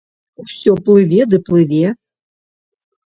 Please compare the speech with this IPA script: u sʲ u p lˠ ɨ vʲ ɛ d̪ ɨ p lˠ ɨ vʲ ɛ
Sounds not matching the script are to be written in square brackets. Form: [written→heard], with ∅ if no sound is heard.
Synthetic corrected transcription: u sʲ [u→ɔ] p lˠ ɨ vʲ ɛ d̪ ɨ p lˠ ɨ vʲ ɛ

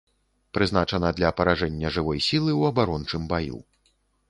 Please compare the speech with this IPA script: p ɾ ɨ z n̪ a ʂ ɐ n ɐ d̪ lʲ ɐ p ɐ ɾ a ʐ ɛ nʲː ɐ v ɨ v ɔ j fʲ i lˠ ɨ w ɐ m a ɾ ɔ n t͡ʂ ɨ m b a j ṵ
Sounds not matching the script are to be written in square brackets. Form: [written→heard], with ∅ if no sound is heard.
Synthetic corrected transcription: p ɾ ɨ z n̪ a [ʂ→t͡ʂ] ɐ n ɐ d̪ lʲ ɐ p ɐ ɾ a ʐ ɛ nʲː ɐ [v→ʐ] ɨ v ɔ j [fʲ→sʲ] i lˠ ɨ w ɐ [m→b] a ɾ ɔ n t͡ʂ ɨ m b a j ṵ

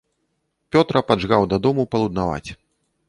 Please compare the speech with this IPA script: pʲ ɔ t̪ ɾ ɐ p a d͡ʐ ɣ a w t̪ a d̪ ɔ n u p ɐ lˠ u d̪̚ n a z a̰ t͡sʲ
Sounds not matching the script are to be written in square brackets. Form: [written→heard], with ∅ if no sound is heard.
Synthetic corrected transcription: pʲ ɔ t̪ ɾ ɐ p a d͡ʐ ɣ a w [t̪→d̪] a d̪ ɔ [n→m] u p ɐ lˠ u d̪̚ n a [z→v] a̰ t͡sʲ

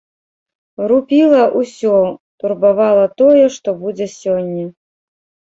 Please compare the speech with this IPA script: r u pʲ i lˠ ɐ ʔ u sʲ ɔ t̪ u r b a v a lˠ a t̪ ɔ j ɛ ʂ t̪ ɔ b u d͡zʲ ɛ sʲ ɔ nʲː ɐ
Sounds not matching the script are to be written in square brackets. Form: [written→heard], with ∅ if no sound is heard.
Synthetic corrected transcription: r u pʲ i lˠ ɐ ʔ u sʲ ɔ t̪ u r b a v a lˠ [a→ɐ] t̪ ɔ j ɛ ʂ t̪ ɔ b u d͡zʲ ɛ sʲ ɔ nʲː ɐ

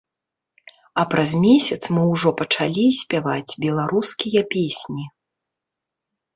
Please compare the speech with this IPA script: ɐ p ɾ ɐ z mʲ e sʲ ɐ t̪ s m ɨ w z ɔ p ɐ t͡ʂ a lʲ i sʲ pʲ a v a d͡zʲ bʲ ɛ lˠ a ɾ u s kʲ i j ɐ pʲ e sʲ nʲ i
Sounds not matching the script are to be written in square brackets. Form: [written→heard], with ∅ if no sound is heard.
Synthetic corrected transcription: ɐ p ɾ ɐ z mʲ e sʲ ɐ t̪ s m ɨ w [z→ʐ] ɔ p ɐ t͡ʂ a lʲ i sʲ pʲ a v a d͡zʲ bʲ ɛ lˠ a ɾ u s kʲ i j ɐ pʲ e sʲ nʲ i

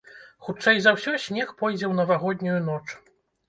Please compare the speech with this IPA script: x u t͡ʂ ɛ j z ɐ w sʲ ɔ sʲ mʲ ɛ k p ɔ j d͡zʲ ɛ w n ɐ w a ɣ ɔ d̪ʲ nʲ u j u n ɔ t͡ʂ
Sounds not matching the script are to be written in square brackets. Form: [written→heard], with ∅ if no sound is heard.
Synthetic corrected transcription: x u t͡ʂ ɛ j z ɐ w sʲ ɔ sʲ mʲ ɛ [k→x] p ɔ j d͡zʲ ɛ w n ɐ [w→v] a ɣ ɔ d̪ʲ nʲ u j u n ɔ t͡ʂ

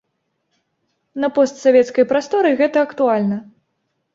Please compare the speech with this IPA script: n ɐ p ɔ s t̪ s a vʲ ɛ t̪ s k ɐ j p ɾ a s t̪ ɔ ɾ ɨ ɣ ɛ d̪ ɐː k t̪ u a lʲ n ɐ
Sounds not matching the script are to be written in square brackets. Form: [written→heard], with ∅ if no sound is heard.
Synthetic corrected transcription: n ɐ p ɔ s t̪ s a vʲ ɛ t̪ s k ɐ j p ɾ a s t̪ ɔ ɾ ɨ ɣ ɛ [d̪→t̪] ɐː k t̪ u a lʲ n ɐ

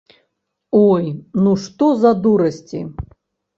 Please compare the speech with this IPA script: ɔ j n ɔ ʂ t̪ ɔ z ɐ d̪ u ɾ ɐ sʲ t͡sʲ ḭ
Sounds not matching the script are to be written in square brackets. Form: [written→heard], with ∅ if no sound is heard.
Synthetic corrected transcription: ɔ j n [ɔ→u] ʂ t̪ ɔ z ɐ d̪ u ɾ ɐ sʲ t͡sʲ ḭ

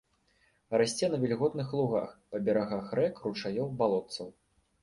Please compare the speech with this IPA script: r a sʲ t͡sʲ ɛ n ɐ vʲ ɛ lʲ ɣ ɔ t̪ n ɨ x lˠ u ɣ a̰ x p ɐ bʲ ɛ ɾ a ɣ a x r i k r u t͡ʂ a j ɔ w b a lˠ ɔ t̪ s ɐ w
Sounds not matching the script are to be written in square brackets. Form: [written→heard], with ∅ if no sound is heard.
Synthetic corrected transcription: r a sʲ t͡sʲ ɛ n ɐ vʲ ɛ lʲ ɣ ɔ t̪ n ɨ x lˠ u ɣ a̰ x p ɐ bʲ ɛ ɾ a ɣ a x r [i→ɛ] k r u t͡ʂ a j ɔ w b a lˠ ɔ t̪ s ɐ w

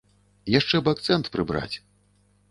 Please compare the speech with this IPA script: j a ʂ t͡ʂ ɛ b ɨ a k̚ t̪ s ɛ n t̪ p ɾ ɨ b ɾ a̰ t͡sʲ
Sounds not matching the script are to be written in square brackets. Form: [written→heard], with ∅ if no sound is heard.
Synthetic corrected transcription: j a ʂ t͡ʂ ɛ b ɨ a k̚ t̪ s ɛ n t̪ p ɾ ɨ b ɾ a̰ t͡sʲ

